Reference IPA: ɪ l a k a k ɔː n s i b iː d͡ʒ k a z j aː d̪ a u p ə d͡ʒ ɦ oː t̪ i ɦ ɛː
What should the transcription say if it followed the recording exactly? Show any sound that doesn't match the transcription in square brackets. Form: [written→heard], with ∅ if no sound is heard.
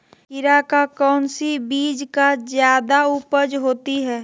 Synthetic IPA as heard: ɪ [l→ɾ] a k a k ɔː n s i b iː d͡ʒ k a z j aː d̪ a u p ə d͡ʒ ɦ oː t̪ i ɦ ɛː